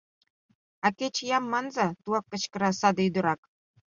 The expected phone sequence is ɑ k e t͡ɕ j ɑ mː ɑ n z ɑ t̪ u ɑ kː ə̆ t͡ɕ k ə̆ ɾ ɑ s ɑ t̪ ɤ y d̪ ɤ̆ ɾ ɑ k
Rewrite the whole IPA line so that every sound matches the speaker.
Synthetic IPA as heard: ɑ k e t͡ɕ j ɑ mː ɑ n z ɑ t̪ u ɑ kː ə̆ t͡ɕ k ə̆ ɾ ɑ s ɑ d̪ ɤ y d̪ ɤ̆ ɾ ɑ k